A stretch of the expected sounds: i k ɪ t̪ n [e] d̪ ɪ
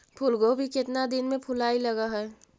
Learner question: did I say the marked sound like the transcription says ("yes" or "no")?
no